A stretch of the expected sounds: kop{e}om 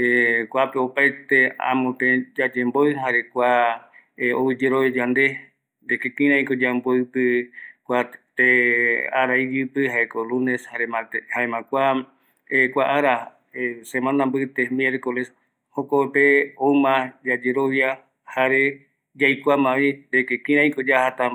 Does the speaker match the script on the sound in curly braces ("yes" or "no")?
yes